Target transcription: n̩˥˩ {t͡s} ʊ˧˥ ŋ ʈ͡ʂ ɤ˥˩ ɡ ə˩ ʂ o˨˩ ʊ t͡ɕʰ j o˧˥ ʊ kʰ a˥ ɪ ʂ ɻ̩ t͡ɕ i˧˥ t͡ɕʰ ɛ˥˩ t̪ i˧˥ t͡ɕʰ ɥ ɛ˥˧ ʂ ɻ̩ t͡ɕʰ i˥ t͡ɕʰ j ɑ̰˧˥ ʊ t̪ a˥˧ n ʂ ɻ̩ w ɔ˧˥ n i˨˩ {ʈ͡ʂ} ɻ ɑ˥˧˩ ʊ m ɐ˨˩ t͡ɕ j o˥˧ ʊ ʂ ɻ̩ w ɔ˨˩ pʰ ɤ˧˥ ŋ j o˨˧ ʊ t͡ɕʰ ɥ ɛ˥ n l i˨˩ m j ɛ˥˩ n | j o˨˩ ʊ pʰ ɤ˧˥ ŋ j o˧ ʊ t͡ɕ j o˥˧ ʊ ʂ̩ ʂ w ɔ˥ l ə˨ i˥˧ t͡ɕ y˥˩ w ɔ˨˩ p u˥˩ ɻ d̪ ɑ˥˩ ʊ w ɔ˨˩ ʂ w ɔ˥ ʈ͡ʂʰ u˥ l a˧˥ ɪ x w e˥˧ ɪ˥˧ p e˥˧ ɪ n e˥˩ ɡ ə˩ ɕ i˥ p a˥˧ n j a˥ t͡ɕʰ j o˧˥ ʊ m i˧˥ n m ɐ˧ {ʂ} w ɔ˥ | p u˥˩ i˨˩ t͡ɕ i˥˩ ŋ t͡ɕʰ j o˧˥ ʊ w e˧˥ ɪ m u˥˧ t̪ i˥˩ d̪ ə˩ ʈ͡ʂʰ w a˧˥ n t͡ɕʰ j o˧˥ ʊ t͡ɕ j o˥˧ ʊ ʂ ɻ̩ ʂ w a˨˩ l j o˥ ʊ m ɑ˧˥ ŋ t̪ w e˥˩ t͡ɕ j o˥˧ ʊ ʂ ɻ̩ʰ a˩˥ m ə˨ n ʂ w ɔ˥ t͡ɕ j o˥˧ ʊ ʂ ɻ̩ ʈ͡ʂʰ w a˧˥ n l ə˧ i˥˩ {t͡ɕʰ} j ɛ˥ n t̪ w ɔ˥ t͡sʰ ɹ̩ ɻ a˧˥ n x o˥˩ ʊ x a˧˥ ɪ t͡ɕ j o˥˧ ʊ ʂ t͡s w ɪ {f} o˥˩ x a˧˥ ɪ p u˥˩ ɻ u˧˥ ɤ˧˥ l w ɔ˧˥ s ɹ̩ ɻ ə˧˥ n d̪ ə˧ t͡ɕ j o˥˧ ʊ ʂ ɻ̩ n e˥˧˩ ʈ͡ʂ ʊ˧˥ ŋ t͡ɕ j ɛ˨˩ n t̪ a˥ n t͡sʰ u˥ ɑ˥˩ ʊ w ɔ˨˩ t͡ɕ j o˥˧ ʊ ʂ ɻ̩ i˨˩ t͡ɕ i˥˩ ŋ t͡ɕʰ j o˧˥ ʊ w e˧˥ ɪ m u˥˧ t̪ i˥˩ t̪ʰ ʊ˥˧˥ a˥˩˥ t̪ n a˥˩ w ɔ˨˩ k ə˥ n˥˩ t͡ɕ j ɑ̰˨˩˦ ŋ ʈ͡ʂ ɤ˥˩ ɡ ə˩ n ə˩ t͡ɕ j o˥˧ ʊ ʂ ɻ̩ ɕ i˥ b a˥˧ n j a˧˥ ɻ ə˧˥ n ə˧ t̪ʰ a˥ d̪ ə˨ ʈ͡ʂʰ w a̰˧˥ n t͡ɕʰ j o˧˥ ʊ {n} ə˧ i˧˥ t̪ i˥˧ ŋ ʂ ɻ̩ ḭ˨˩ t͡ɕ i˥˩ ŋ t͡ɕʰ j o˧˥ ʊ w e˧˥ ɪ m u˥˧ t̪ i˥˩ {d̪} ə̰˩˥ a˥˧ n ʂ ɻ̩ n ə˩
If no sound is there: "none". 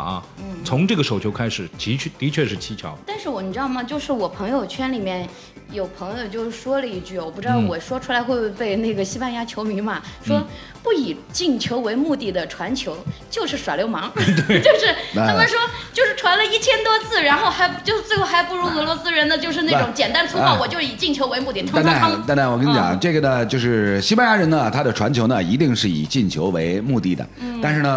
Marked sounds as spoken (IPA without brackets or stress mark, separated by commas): t͡sʰ, ʈ͡ʂ, ʂ, t͡ɕʰ, x, n, d̪